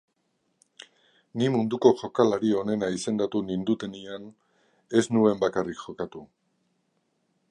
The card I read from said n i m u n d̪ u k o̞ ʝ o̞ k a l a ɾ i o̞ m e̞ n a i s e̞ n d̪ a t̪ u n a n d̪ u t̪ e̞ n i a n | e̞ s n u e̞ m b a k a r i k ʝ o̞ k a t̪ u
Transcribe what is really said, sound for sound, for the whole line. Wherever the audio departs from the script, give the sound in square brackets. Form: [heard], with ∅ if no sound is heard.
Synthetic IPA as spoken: n i m u n d̪ u k o̞ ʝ o̞ k a l a ɾ i o̞ [n] e̞ n a i s e̞ n d̪ a t̪ u n [i] n d̪ u t̪ e̞ n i a n | e̞ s n u e̞ m b a k a r i k ʝ o̞ k a t̪ u